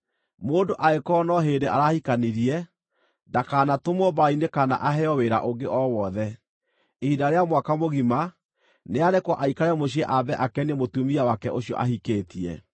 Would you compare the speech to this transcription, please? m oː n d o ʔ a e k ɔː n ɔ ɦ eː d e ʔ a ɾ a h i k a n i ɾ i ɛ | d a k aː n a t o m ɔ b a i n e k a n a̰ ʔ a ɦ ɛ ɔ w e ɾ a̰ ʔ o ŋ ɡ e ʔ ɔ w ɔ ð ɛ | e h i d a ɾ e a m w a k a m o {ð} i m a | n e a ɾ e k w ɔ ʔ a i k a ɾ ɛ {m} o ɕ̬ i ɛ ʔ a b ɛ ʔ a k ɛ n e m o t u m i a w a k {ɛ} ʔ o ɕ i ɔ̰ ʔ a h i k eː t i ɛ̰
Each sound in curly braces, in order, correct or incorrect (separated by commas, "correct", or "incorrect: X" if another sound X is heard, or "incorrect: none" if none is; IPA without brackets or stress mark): incorrect: ɣ, correct, correct